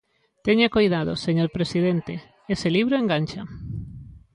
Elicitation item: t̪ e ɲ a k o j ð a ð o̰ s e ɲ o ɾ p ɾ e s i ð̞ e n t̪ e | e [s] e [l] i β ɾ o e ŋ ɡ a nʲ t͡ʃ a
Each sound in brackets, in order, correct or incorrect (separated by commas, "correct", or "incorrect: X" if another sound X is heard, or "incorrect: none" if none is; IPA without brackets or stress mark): correct, correct